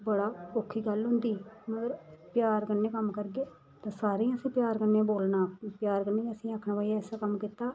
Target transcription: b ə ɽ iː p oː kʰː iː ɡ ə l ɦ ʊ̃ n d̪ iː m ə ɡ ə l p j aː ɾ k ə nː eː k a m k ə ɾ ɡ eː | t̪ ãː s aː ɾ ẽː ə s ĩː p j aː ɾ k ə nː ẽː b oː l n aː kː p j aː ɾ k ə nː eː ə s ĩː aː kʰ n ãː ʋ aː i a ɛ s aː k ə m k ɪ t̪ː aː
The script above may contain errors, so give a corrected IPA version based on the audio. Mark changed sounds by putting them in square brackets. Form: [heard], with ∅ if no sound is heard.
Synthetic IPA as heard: b ə ɽ [aː] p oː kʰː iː ɡ ə l ɦ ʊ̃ n d̪ iː m ə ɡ ə [ɾ] p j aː ɾ k ə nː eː k [ə] m k ə ɾ ɡ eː | t̪ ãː s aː ɾ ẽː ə s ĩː p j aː ɾ k ə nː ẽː b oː l n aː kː p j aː ɾ k ə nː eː ə s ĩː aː kʰ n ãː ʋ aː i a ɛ s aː k ə m k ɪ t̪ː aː

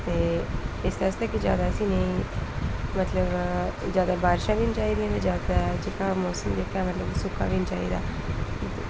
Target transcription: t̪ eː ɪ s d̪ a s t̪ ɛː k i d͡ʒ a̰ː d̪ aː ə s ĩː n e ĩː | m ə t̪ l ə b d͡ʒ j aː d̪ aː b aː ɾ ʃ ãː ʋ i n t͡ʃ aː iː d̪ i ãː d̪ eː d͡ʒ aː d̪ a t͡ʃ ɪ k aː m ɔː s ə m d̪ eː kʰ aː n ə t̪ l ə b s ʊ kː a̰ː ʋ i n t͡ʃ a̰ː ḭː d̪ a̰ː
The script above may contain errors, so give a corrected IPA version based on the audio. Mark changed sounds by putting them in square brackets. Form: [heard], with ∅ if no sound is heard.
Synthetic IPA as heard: t̪ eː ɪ s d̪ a s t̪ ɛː k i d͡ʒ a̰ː d̪ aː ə s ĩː n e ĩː | m ə t̪ l ə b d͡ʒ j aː d̪ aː b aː ɾ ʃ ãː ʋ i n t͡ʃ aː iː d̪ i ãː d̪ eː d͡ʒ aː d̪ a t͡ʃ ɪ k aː m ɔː s ə m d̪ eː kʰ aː [m] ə t̪ l ə b s ʊ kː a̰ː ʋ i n t͡ʃ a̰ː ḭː d̪ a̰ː

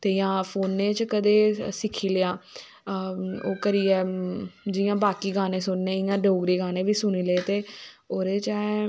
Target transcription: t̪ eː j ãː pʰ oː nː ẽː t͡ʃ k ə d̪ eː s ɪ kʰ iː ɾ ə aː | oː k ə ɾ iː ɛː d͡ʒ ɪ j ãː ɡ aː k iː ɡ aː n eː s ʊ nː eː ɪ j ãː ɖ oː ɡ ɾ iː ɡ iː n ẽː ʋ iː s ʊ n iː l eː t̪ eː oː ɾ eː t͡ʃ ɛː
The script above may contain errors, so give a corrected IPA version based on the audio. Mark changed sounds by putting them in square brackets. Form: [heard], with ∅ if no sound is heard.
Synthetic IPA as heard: t̪ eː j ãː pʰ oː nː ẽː t͡ʃ k ə d̪ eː s ɪ kʰ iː [l] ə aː | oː k ə ɾ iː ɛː d͡ʒ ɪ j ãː [b] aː k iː ɡ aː n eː s ʊ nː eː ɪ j ãː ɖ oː ɡ ɾ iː ɡ [aː] n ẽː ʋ iː s ʊ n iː l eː t̪ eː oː ɾ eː t͡ʃ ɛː

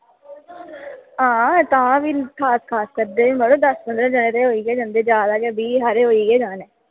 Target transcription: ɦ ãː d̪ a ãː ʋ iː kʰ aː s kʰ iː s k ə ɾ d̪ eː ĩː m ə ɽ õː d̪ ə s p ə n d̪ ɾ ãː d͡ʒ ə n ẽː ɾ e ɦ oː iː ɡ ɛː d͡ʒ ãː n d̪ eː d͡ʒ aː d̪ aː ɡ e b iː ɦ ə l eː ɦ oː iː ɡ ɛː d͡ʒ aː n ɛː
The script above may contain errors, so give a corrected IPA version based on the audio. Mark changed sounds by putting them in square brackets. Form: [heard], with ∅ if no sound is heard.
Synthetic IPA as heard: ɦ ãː [t̪] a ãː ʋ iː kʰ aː s kʰ [aː] s k ə ɾ d̪ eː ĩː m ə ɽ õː d̪ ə s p ə n d̪ ɾ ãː d͡ʒ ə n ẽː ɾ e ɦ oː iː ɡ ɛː d͡ʒ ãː n d̪ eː d͡ʒ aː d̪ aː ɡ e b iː ɦ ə [ɾ] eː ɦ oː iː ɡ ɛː d͡ʒ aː n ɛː

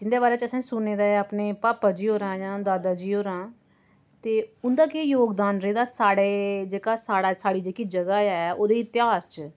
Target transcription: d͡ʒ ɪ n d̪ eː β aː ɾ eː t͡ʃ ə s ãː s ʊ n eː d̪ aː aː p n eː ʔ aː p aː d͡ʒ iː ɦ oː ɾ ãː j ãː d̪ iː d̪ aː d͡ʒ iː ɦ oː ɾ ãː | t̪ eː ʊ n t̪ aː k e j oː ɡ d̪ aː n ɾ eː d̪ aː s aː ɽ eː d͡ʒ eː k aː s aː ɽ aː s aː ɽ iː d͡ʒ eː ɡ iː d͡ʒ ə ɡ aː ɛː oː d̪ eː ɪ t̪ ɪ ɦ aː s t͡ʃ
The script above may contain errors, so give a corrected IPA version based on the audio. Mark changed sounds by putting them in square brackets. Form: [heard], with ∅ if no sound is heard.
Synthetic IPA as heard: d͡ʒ ɪ n d̪ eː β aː ɾ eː t͡ʃ ə s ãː s ʊ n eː d̪ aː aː p n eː [p] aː p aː d͡ʒ iː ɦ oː ɾ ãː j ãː d̪ [aː] d̪ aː d͡ʒ iː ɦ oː ɾ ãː | t̪ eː ʊ n [d̪] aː k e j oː ɡ d̪ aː n ɾ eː d̪ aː s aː ɽ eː d͡ʒ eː k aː s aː ɽ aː s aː ɽ iː d͡ʒ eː [k] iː d͡ʒ ə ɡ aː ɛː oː d̪ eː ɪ t̪ ɪ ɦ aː s t͡ʃ

